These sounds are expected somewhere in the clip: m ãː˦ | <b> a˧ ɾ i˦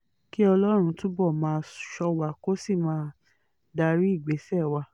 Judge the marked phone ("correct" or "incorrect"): incorrect